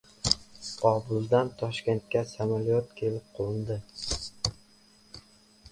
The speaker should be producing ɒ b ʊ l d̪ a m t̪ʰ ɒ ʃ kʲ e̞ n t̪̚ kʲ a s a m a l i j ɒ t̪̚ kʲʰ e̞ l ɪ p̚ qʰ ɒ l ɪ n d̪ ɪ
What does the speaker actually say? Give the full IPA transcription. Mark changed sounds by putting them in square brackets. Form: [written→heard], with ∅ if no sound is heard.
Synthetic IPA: ɒ b ʊ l d̪ a [m→n] t̪ʰ ɒ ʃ kʲ e̞ n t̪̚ kʲ a s a m a l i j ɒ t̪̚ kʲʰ e̞ l ɪ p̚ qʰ [ɒ→o] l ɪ n d̪ ɪ